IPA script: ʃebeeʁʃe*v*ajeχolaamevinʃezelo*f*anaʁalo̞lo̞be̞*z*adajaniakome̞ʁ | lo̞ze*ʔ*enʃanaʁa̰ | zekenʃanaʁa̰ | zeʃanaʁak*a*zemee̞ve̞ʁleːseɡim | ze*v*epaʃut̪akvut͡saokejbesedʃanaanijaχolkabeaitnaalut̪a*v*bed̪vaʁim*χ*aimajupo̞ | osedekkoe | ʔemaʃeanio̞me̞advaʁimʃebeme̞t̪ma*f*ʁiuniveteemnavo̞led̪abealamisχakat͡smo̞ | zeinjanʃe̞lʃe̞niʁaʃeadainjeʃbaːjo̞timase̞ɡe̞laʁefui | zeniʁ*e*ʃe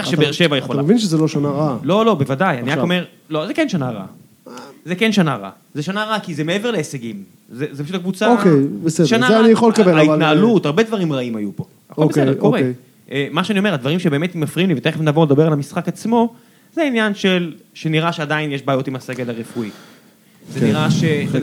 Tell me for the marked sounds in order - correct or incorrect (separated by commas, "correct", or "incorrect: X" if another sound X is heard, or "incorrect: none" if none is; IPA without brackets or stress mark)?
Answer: correct, incorrect: ʃ, incorrect: v, incorrect: k, incorrect: i, incorrect: z, incorrect: ʁ, incorrect: ʁ, correct, incorrect: a